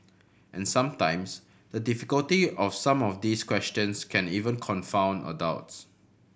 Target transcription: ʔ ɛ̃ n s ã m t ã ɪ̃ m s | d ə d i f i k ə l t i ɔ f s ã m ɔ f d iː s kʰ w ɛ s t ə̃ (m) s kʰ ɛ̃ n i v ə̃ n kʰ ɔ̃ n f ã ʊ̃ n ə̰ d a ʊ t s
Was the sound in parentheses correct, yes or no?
no